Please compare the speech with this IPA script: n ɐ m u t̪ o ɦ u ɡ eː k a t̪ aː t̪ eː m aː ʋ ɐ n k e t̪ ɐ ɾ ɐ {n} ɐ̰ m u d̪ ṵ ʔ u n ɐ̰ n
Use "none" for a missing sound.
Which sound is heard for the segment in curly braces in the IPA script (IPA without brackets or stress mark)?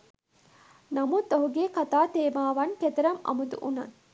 m